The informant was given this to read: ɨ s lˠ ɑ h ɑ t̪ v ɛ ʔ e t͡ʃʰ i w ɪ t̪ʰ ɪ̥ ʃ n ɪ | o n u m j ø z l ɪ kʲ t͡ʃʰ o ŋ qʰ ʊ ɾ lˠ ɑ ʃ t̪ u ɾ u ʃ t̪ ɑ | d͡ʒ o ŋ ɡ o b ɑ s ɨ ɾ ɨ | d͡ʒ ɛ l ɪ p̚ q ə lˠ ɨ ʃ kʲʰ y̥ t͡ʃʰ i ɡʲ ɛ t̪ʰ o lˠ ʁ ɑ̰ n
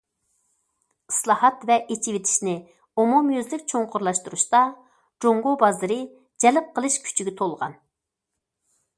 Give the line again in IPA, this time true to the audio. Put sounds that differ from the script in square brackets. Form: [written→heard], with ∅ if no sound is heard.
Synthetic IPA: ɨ s lˠ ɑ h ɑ t̪ v ɛ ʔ e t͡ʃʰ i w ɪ t̪ʰ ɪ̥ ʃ n ɪ | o [n→m] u m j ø z l ɪ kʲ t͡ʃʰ o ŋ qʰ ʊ ɾ lˠ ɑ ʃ t̪ u ɾ u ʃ t̪ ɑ | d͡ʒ o ŋ ɡ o b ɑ [s→z] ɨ ɾ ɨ | d͡ʒ ɛ l ɪ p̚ q ə lˠ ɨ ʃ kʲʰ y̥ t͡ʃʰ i ɡʲ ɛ t̪ʰ o lˠ ʁ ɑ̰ n

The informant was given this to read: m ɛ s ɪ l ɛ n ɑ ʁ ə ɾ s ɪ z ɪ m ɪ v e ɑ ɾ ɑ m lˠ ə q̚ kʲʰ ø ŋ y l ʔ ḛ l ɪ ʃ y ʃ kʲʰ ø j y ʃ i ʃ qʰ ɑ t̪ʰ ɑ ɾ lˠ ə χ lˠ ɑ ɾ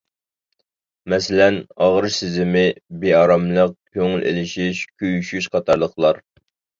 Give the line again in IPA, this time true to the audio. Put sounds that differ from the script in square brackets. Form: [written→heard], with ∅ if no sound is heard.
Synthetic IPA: m ɛ s ɪ l ɛ n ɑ ʁ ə ɾ s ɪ z ɪ m ɪ [v→b] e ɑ ɾ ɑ m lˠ ə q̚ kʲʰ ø ŋ y l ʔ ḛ l ɪ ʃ [y→i] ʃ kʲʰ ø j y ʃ [i→y] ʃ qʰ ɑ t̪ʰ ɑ ɾ lˠ ə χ lˠ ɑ ɾ

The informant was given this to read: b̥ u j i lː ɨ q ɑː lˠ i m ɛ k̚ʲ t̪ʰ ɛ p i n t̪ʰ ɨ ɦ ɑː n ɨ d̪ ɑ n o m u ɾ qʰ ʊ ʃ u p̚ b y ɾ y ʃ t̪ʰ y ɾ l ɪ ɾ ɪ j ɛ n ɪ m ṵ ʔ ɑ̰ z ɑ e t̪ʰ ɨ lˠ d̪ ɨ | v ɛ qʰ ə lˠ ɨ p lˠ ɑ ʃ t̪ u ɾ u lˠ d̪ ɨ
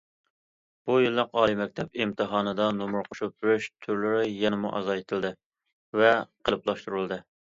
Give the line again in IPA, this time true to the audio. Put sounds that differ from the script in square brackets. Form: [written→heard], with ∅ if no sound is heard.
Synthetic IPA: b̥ u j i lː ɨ q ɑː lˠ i m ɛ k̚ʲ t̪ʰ ɛ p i [n→m] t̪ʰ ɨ ɦ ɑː n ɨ d̪ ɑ n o m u ɾ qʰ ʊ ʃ u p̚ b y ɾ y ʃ t̪ʰ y ɾ l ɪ ɾ ɪ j ɛ n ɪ m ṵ ʔ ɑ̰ z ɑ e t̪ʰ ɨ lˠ d̪ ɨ | v ɛ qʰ ə lˠ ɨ p lˠ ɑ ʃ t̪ u ɾ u lˠ d̪ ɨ

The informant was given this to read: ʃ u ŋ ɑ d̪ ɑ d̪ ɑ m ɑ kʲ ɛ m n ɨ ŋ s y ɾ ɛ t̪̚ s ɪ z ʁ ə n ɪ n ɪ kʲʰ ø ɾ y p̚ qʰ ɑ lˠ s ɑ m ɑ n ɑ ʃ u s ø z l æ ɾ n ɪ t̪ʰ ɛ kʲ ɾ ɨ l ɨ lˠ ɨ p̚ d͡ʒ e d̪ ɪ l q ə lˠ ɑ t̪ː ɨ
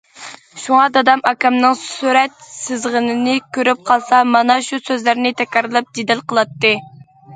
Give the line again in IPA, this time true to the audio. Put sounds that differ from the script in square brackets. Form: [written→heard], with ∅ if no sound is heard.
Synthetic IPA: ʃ u ŋ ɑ d̪ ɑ d̪ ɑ m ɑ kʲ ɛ m n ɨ ŋ s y ɾ ɛ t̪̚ s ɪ z ʁ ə n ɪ n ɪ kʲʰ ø ɾ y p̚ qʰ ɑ lˠ s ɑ m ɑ n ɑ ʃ u s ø z l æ ɾ n ɪ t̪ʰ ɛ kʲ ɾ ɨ [l→ɾ] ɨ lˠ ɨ p̚ d͡ʒ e d̪ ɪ l q ə lˠ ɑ t̪ː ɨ

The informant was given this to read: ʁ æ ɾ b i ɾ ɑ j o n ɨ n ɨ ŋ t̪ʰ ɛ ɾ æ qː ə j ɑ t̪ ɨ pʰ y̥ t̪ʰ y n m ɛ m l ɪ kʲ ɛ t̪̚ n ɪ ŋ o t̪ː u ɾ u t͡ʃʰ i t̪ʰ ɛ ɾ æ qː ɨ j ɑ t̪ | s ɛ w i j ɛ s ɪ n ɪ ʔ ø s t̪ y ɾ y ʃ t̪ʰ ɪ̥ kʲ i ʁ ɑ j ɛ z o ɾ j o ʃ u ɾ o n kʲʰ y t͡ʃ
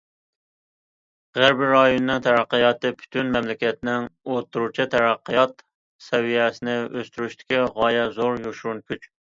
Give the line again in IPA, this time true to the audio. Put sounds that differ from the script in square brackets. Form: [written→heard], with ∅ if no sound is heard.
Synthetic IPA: ʁ æ ɾ b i ɾ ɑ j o n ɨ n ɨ ŋ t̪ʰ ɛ ɾ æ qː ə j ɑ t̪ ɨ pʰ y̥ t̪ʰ y n m ɛ m l ɪ kʲ ɛ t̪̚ n ɪ ŋ o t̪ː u ɾ u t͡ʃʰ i t̪ʰ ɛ ɾ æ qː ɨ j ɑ t̪ | s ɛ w i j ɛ s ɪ n ɪ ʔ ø s t̪ y ɾ y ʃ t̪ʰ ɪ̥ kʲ i ʁ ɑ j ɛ z o ɾ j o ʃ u ɾ [o→u] n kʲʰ y t͡ʃ

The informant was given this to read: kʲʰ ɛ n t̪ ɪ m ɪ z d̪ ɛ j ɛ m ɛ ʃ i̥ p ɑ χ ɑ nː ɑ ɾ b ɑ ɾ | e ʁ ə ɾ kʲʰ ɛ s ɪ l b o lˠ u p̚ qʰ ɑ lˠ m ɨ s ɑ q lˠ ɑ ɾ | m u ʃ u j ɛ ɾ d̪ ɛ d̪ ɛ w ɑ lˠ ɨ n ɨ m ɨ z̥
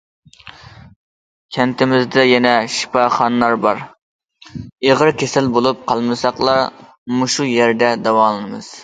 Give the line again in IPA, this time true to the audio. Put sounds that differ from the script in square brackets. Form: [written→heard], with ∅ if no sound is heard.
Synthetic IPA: kʲʰ ɛ n t̪ ɪ m ɪ z d̪ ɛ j ɛ [m→n] ɛ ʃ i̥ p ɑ χ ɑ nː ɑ ɾ b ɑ ɾ | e ʁ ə ɾ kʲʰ [ɛ→e] s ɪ l b o lˠ u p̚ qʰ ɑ lˠ m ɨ s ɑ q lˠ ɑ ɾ | m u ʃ u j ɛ ɾ d̪ ɛ d̪ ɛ w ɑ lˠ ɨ n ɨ m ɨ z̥

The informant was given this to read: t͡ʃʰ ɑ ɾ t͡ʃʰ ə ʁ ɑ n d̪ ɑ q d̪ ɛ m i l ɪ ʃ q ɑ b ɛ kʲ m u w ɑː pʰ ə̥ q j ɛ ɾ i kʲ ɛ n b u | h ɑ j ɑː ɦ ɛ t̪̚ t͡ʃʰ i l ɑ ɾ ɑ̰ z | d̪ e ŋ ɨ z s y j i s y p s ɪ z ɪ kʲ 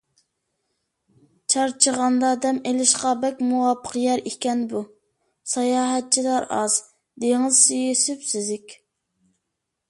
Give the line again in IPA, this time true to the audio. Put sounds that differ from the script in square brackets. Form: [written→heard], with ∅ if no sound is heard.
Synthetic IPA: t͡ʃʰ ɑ ɾ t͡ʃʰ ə ʁ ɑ n d̪ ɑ [q→∅] d̪ ɛ m [i→e] l ɪ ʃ q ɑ b ɛ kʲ m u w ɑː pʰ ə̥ q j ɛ ɾ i kʲ ɛ n b u | [h→s] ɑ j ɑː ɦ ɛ t̪̚ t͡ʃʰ i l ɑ ɾ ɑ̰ z | d̪ e ŋ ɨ z s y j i s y p s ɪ z ɪ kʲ

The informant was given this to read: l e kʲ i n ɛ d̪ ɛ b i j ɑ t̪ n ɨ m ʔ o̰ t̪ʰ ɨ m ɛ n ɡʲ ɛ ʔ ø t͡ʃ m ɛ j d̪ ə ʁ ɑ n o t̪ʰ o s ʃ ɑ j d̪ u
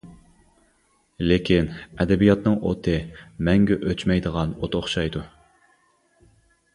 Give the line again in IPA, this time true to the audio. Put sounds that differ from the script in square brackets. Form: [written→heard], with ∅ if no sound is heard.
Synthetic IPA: l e kʲ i n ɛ d̪ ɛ b i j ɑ t̪ n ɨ [m→ŋ] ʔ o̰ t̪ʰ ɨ m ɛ [n→ŋ] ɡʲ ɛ ʔ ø t͡ʃ m ɛ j d̪ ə ʁ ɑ n o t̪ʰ o [s→χ] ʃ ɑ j d̪ u

